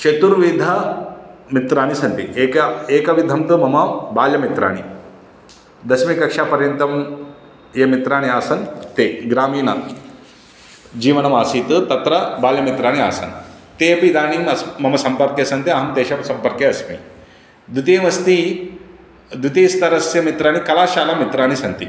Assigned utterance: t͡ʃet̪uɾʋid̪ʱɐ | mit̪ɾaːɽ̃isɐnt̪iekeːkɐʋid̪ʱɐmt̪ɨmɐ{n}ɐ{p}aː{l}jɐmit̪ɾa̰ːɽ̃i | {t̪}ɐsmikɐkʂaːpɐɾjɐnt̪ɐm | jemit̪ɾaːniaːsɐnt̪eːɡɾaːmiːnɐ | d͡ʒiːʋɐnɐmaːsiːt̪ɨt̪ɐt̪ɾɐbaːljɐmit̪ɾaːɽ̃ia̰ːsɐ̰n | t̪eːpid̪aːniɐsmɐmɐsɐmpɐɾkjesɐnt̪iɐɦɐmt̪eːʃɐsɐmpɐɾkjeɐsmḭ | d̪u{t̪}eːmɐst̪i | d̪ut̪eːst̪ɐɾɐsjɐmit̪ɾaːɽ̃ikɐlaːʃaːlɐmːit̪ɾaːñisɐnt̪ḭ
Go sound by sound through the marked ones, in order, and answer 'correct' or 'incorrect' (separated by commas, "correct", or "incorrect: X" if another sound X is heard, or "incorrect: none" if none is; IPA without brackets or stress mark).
incorrect: m, incorrect: b, correct, incorrect: d̪, correct